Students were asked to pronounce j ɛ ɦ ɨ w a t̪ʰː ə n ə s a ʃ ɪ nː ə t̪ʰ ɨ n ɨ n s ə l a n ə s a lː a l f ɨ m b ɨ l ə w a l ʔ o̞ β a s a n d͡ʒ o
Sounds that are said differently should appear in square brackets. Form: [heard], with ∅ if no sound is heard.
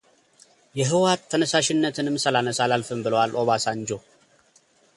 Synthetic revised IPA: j ɛ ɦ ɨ w a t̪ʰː ə n ə s a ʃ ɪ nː ə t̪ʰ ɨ n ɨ [m] s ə l a n ə s a [l] a l f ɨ m b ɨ l ə w a l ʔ o̞ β a s a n d͡ʒ o